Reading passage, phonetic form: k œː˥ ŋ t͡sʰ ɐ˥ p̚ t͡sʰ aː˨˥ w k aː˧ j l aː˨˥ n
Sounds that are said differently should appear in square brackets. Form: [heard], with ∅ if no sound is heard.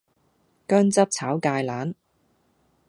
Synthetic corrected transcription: k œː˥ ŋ [t͡s] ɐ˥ p̚ t͡sʰ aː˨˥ w k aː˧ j l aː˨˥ n